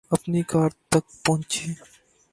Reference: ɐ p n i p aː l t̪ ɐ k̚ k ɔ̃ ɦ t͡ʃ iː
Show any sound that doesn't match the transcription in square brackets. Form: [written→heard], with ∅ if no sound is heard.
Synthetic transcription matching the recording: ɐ p n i [p→k] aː [l→ɾ] t̪ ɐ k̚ [k→p] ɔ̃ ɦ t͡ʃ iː

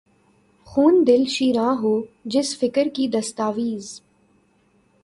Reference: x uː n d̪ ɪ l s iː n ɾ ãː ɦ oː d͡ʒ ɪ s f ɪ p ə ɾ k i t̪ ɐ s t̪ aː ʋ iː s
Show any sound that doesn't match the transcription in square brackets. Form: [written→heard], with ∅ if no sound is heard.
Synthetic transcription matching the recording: x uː n d̪ ɪ l [s→ʃ] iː [n→∅] ɾ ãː ɦ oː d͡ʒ ɪ s f ɪ [p→k] ə ɾ k i [t̪→d̪] ɐ s t̪ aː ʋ iː [s→z]

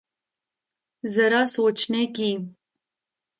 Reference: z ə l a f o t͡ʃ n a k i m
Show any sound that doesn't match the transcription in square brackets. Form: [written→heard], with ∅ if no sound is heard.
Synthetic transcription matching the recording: z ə [l→ɾ] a [f→s] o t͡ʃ n [a→e] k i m

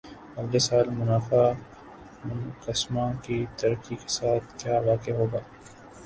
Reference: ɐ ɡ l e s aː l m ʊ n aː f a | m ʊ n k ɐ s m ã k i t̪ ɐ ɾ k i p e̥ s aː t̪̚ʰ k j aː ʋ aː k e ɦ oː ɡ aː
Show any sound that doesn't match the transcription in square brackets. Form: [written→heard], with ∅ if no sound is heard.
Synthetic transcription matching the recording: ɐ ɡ l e s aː l m ʊ n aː f a | m ʊ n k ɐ s m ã k i t̪ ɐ ɾ k i [p→k] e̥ s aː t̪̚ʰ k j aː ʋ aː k e ɦ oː ɡ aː

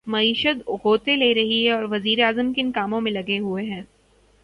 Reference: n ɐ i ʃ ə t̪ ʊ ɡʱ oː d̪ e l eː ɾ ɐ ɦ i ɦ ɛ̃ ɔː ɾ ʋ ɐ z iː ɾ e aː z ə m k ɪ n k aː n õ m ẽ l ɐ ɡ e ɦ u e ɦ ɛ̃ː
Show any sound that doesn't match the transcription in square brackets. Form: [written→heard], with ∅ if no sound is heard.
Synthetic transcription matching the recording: [n→m] ɐ [i→iː] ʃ ə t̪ ʊ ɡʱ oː [d̪→t̪] e l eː ɾ ɐ ɦ i ɦ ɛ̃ ɔː ɾ ʋ ɐ z iː ɾ e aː z ə m k ɪ n k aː [n→m] õ m ẽ l ɐ ɡ e ɦ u e ɦ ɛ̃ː

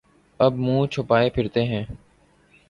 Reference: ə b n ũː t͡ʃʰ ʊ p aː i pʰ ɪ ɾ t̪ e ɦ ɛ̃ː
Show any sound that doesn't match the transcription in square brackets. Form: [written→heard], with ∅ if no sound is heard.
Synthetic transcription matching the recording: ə b [n→m] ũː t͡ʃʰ ʊ p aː [i→e] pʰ ɪ ɾ t̪ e ɦ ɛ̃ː

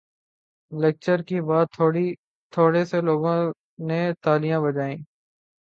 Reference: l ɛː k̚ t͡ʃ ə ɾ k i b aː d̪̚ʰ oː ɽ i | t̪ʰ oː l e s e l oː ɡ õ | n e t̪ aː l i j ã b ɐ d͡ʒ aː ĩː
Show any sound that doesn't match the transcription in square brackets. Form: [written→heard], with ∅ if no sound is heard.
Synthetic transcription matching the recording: l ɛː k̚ t͡ʃ ə ɾ k i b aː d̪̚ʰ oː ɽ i | t̪ʰ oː [l→ɽ] e s e l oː ɡ õ | n e t̪ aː l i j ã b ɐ d͡ʒ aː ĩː

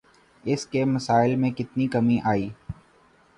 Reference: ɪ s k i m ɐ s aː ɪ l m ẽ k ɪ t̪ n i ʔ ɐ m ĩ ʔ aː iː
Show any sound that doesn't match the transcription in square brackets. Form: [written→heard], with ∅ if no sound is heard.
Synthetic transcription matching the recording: ɪ s k [i→e] m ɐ s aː ɪ l m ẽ k ɪ t̪ n i [ʔ→k] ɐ m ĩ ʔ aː iː

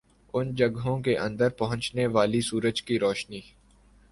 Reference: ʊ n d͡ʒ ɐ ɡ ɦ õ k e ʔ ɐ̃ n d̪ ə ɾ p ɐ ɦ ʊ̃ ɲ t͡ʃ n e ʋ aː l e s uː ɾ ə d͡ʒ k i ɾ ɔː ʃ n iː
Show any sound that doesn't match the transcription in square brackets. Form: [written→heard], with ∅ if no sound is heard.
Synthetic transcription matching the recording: ʊ n d͡ʒ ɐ ɡ ɦ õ k e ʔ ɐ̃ n d̪ ə ɾ p ɐ ɦ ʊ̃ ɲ t͡ʃ n e ʋ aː l [e→i] s uː ɾ ə d͡ʒ k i ɾ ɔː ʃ n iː

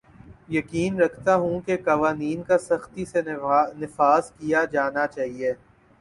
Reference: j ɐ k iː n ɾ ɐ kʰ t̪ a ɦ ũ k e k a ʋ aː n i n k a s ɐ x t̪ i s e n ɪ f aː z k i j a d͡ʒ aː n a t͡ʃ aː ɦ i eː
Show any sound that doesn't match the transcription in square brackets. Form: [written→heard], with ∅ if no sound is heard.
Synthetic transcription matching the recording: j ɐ k iː n ɾ ɐ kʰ t̪ a ɦ ũ k e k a ʋ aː n [i→iː] n k a s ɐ x t̪ i s e n ɪ f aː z k i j a d͡ʒ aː n a t͡ʃ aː ɦ i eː

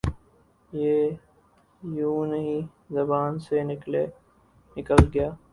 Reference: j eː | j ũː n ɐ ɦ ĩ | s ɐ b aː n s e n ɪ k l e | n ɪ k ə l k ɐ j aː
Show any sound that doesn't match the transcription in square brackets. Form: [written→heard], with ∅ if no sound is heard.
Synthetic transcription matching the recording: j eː | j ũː n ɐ ɦ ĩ | [s→z] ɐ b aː n s e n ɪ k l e | n ɪ k ə l [k→ɡ] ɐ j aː

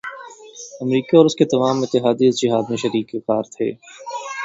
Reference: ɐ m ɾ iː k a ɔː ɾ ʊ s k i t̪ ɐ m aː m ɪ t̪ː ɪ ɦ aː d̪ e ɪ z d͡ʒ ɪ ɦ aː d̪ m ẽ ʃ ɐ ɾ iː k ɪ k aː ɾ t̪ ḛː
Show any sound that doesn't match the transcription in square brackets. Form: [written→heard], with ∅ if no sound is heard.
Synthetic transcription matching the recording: ɐ m ɾ iː k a ɔː ɾ ʊ s k [i→e] t̪ ɐ m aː m ɪ t̪ː ɪ ɦ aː d̪ [e→i] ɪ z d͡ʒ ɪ ɦ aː d̪ m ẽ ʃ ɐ ɾ iː k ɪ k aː ɾ [t̪→t̪ʰ] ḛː

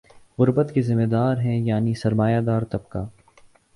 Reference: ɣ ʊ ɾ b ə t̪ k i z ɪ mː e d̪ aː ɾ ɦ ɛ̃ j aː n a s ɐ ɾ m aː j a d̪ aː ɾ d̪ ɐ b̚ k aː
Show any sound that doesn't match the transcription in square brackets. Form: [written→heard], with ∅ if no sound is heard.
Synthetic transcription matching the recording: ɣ ʊ ɾ b ə t̪ k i z ɪ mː e d̪ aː ɾ ɦ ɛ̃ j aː n [a→i] s ɐ ɾ m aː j a d̪ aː ɾ [d̪→t̪] ɐ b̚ k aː

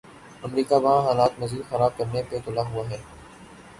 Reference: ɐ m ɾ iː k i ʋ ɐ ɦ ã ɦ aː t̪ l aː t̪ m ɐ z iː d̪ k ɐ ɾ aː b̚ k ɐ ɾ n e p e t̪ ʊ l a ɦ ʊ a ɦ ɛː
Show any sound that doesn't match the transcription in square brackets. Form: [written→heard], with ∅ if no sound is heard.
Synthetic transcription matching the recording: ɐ m ɾ iː k [i→a] ʋ ɐ ɦ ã ɦ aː [t̪→∅] l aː t̪ m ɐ z iː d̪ [k→x] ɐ ɾ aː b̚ k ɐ ɾ n e p e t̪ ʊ l a ɦ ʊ a ɦ ɛː

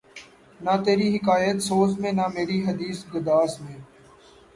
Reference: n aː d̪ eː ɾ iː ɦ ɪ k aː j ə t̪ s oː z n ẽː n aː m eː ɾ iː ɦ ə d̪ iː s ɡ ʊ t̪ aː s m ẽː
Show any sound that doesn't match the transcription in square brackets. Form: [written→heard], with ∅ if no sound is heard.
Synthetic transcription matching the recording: n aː [d̪→t̪] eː ɾ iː ɦ ɪ k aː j ə t̪ s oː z [n→m] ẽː n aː m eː ɾ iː ɦ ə d̪ iː s ɡ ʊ [t̪→d̪] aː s m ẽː

